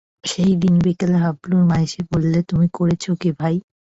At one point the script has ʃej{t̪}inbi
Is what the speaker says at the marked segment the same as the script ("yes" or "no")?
no